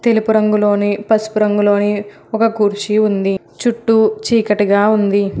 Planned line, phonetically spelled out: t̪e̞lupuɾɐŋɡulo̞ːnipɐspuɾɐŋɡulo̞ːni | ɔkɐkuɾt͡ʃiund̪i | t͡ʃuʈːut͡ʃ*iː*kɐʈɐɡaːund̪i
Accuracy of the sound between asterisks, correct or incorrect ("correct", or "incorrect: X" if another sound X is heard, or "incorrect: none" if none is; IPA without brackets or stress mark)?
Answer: correct